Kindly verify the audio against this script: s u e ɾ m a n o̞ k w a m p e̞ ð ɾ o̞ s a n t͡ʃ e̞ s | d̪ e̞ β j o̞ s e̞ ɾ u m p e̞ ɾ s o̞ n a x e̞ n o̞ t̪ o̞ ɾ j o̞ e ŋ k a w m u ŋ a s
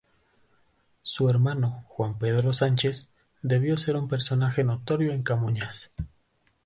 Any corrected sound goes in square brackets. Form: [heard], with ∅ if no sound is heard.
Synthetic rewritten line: s u e ɾ m a n o̞ [x] w a m p e̞ ð ɾ o̞ s a n t͡ʃ e̞ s | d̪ e̞ β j o̞ s e̞ ɾ u m p e̞ ɾ s o̞ n a x e̞ n o̞ t̪ o̞ ɾ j o̞ e ŋ k a [∅] m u [ɲ] a s